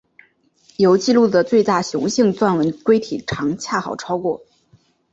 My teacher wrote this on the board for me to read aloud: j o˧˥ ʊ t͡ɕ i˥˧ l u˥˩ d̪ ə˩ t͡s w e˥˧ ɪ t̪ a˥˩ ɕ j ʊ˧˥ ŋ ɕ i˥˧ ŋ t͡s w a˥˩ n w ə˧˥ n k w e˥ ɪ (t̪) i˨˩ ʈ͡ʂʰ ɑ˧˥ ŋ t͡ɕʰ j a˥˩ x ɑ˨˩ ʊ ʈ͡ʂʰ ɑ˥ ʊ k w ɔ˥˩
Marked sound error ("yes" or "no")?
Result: yes